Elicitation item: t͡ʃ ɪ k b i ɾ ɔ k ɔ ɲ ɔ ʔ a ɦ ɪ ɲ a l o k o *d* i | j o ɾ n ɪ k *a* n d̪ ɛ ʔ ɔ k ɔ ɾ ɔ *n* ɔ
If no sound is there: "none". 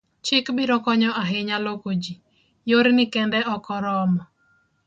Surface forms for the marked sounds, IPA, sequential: d͡ʒ, ɛ, m

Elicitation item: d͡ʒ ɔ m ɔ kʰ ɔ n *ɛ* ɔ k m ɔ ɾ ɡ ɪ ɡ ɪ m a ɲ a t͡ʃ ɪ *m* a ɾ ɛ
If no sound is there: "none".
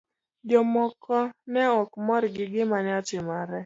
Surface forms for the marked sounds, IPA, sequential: ɛ, m

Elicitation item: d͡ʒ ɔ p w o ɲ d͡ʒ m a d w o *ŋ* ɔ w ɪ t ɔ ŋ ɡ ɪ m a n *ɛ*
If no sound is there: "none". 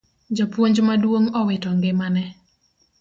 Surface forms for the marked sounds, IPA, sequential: ŋ, ɛ

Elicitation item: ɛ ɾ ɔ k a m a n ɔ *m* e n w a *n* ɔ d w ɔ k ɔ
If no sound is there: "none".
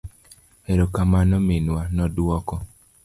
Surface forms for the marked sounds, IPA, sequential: m, n

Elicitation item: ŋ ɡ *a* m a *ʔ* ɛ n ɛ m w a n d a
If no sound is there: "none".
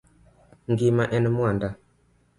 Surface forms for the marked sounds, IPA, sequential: i, ʔ

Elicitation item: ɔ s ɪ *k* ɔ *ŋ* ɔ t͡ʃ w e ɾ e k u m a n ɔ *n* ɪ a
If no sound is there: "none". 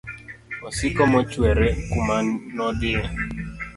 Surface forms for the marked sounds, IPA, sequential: k, m, d

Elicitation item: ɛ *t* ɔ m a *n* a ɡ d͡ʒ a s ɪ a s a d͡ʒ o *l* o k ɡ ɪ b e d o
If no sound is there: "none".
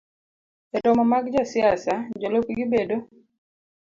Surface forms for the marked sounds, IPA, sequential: t, m, l

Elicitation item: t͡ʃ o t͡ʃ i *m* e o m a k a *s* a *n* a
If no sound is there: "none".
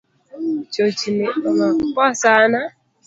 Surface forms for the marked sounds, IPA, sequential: n, s, n

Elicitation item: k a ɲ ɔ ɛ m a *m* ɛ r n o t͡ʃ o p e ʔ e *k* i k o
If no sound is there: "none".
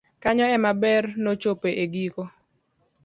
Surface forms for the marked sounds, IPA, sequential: b, ɡ

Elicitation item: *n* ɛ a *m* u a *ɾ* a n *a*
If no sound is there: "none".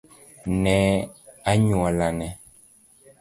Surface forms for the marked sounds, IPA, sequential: n, ɲ, l, ɛ

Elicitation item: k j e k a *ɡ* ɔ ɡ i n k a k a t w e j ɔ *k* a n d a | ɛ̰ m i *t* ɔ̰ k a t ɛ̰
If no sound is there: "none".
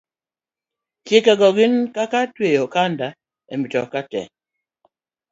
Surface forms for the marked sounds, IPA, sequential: ɡ, k, t

